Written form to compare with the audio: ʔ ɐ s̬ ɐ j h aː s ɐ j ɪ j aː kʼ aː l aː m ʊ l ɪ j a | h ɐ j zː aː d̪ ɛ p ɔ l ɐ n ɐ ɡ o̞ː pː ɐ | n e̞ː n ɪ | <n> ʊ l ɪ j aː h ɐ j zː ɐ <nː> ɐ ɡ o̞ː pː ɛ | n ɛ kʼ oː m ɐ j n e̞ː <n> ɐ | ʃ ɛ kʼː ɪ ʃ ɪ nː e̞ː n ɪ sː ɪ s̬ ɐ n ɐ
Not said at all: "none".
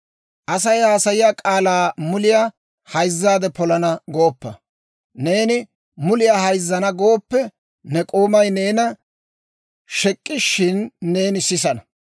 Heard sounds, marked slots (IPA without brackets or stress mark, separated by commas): m, n, n